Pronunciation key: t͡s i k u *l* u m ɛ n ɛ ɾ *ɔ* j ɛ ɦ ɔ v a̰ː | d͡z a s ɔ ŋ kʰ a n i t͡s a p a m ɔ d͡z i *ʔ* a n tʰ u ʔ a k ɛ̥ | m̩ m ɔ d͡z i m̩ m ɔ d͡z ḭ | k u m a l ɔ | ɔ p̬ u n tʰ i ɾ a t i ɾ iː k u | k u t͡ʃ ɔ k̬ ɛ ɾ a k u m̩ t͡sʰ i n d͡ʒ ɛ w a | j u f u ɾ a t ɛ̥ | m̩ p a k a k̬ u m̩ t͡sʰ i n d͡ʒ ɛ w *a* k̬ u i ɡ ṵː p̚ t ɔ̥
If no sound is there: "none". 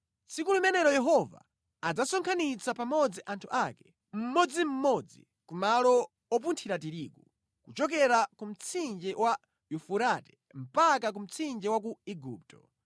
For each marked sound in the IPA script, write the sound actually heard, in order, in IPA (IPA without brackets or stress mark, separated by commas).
l, ɔ, ʔ, a